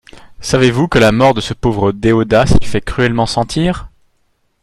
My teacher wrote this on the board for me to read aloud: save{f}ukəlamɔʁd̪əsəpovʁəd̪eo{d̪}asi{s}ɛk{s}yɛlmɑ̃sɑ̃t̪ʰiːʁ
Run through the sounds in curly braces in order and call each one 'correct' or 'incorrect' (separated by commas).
incorrect, correct, incorrect, incorrect